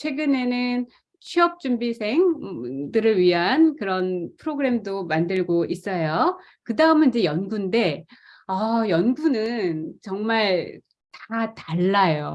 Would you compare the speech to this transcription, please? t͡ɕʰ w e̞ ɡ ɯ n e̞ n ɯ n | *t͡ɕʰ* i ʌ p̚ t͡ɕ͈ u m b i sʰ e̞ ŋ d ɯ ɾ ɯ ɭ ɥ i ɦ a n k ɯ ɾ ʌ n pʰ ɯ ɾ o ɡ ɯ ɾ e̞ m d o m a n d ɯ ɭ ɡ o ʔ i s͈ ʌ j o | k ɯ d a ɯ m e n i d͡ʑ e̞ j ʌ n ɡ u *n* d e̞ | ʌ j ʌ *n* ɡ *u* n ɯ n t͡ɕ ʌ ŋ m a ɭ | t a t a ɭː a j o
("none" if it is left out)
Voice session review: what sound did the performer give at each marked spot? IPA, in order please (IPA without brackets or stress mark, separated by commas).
t͡ɕʰ, n, n, u